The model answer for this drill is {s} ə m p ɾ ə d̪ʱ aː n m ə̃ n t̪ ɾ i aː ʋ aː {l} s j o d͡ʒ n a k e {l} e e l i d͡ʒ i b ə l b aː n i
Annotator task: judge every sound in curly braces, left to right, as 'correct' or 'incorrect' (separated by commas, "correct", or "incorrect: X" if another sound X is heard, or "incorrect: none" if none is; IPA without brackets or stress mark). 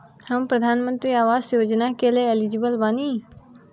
incorrect: h, incorrect: none, correct